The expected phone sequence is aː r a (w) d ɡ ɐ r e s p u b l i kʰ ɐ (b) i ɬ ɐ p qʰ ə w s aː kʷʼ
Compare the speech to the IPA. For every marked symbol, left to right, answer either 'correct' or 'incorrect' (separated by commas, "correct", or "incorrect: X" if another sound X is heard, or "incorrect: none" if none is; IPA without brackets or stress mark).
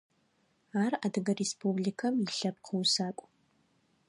incorrect: none, incorrect: m